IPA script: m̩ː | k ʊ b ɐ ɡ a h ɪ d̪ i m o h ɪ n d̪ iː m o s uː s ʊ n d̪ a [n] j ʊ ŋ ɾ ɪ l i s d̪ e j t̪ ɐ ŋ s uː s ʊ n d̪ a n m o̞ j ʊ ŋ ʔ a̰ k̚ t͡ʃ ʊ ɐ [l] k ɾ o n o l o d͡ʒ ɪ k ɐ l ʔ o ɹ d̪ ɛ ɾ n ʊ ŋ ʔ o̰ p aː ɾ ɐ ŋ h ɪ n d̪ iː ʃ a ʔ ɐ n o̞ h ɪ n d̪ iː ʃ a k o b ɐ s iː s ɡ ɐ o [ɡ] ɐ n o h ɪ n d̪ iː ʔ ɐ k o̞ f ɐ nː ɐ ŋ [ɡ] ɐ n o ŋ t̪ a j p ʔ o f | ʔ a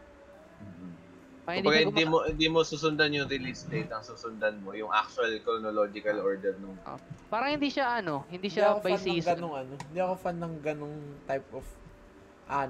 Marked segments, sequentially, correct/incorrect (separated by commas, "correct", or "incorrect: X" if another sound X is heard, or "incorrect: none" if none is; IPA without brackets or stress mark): correct, correct, incorrect: ŋ, correct